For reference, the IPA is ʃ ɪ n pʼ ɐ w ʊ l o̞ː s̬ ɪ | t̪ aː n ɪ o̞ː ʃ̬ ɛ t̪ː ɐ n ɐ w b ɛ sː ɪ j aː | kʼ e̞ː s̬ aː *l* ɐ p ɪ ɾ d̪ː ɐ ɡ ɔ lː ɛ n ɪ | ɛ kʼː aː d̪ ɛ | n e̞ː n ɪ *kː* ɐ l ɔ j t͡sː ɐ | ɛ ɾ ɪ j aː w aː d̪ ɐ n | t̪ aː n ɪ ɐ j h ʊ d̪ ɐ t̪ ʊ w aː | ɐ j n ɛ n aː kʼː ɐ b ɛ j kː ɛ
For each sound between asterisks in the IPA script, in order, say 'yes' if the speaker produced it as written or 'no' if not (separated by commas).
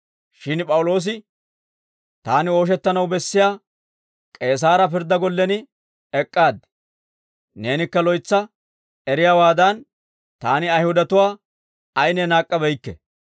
no, yes